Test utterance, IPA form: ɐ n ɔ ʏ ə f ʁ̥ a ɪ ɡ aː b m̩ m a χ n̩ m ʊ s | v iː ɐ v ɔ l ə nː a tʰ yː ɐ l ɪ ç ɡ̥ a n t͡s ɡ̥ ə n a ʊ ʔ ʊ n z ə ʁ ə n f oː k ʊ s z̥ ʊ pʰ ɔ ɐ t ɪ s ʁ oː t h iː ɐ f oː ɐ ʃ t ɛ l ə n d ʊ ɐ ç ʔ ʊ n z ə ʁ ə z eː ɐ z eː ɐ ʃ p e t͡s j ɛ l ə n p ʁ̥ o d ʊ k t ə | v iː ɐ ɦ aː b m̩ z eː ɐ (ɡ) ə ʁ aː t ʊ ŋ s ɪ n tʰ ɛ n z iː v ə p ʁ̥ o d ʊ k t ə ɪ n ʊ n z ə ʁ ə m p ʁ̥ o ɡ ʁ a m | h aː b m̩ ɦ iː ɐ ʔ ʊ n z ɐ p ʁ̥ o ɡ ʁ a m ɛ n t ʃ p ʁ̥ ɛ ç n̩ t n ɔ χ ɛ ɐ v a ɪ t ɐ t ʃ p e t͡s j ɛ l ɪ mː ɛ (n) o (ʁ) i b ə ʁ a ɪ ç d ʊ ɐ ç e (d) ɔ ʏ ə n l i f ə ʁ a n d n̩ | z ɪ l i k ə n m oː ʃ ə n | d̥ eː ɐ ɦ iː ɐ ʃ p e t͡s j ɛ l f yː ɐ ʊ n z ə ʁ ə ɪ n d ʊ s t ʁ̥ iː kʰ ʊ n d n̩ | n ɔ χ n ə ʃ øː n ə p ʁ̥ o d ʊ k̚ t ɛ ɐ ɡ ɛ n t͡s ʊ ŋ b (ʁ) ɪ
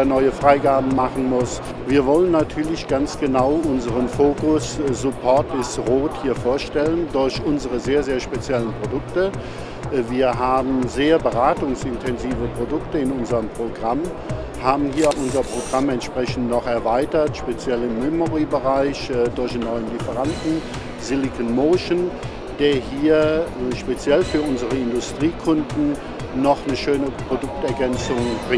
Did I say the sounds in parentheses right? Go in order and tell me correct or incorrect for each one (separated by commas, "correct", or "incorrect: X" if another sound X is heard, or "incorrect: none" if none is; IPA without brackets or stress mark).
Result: incorrect: b, incorrect: m, correct, incorrect: n, correct